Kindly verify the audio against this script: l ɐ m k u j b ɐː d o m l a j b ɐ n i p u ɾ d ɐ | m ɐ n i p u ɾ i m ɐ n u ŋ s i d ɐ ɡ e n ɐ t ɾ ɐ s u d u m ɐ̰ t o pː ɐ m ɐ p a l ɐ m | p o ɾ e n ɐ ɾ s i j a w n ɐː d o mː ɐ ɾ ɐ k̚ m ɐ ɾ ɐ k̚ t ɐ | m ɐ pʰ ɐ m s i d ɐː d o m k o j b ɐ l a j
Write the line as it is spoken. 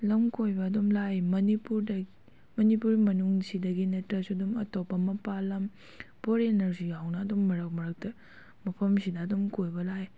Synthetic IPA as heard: l ɐ m k o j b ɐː d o m l a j m ɐ n i p u ɾ d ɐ | m ɐ n i p u ɾ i m ɐ n u ŋ s i d ɐ ɡ i n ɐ t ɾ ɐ s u d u m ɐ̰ t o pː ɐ m ɐ p a l ɐ m | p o ɾ e n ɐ ɾ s i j a w n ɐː d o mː ɐ ɾ ɐ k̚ m ɐ ɾ ɐ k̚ t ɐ | m ɐ pʰ ɐ m s i d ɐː d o m k o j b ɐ l a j